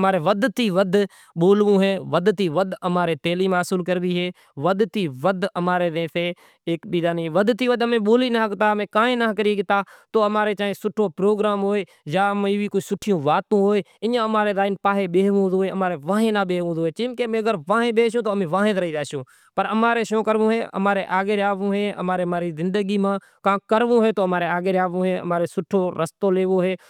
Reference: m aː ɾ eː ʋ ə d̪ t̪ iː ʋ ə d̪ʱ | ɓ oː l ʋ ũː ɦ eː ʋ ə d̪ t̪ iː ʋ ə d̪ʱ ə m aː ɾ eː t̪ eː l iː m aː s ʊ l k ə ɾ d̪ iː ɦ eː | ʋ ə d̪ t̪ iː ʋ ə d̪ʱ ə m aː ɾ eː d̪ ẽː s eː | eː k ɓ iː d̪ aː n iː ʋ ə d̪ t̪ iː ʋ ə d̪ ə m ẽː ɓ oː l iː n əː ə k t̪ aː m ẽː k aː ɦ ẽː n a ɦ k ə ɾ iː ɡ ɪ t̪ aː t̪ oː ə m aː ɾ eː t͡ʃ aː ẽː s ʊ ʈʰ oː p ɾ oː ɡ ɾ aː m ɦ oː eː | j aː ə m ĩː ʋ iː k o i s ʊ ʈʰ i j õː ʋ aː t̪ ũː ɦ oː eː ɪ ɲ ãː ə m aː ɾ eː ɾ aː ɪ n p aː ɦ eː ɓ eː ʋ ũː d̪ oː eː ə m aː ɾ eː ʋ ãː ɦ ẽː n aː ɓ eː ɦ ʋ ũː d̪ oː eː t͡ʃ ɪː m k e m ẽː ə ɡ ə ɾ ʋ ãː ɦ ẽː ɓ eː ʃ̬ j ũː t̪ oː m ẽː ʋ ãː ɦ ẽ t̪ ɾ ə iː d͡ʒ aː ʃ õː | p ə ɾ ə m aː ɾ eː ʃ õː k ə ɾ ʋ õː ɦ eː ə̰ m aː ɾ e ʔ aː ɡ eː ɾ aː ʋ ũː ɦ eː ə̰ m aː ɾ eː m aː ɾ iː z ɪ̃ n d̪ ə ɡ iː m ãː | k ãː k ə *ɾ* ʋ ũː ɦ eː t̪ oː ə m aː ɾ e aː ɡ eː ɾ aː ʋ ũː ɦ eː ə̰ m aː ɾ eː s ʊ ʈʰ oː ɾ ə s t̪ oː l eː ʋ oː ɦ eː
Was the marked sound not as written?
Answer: no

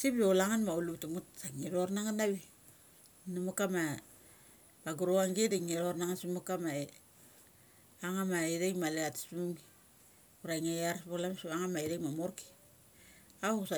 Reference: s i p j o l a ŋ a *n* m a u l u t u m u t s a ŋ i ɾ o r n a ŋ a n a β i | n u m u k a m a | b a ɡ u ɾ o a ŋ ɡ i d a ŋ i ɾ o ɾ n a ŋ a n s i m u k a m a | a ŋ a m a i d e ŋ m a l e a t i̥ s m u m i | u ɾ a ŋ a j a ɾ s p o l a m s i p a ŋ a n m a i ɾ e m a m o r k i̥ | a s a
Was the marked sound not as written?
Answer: no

